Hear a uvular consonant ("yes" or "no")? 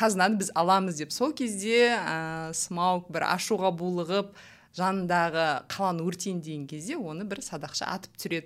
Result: yes